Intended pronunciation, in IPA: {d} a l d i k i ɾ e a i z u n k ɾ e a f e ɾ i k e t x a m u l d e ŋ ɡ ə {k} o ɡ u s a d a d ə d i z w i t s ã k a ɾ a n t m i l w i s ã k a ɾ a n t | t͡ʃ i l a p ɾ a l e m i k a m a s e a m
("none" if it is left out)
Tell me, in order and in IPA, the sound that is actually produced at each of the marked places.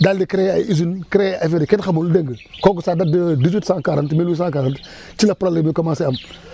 d, k

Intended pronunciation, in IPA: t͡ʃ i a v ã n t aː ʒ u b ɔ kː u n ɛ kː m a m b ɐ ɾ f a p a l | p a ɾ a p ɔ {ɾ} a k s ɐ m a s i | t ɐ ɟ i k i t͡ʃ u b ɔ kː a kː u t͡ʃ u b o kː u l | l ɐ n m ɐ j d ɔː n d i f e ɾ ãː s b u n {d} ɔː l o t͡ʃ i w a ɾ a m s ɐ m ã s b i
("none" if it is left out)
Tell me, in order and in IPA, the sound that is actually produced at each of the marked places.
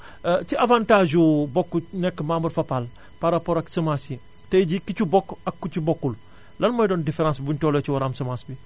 ɾ, t

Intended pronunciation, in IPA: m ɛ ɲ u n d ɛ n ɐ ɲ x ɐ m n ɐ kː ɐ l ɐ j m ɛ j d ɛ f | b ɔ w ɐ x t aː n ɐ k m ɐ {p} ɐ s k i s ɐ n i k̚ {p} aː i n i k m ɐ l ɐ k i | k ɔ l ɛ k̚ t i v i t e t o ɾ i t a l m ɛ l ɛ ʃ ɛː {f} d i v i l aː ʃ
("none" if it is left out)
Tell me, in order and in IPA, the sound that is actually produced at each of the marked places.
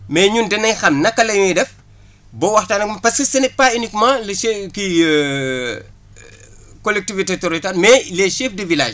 p, p, f

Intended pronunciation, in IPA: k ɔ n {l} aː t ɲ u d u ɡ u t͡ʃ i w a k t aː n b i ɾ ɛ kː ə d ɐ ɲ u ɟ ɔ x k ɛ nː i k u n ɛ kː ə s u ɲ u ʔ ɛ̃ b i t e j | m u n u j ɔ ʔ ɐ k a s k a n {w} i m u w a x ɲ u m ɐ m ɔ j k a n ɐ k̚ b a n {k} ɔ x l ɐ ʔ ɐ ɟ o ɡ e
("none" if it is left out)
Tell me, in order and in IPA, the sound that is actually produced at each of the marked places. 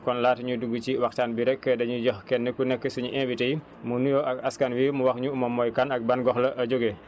l, w, ɡ

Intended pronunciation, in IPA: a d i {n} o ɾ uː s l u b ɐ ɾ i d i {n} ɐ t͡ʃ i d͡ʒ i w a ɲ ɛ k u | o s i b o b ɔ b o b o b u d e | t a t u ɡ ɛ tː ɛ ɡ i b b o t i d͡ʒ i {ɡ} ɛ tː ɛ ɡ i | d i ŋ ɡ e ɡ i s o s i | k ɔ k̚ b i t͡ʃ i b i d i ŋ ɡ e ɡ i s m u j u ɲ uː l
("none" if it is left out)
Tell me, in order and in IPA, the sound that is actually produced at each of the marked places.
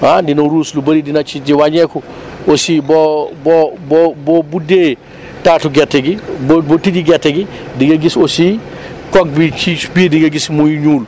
n, n, ɡ

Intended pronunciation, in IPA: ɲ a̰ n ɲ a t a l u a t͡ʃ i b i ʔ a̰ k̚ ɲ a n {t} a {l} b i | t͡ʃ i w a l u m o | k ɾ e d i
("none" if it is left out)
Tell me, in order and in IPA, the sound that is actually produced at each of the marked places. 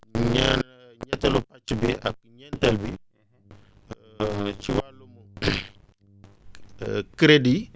t, l

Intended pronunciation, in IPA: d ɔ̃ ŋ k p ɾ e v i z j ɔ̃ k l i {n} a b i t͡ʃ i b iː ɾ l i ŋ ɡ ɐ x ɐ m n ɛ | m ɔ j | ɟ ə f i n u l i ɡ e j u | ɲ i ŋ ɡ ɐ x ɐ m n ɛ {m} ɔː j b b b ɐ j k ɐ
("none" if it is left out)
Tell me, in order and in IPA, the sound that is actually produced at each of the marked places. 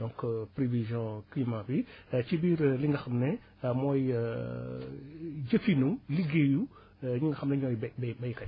m, ɲ

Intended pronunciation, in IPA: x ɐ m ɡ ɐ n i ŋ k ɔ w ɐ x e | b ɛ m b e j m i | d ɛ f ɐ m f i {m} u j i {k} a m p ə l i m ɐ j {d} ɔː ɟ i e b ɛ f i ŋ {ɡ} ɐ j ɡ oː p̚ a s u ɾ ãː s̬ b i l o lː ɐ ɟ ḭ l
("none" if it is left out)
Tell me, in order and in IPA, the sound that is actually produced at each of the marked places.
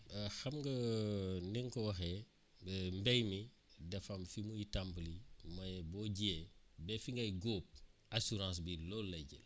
m, t, b, ɡ

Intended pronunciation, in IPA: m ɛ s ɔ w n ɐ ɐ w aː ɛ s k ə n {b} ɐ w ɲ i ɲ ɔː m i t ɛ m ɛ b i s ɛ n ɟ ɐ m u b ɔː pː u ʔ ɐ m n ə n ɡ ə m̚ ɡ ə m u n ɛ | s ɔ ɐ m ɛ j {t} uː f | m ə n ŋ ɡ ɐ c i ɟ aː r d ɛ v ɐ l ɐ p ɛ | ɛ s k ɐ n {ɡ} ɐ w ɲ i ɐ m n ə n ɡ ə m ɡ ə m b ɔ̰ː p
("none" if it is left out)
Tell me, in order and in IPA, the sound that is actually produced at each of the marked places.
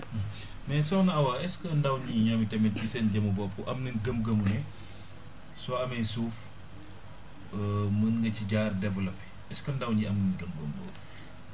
d, s, d

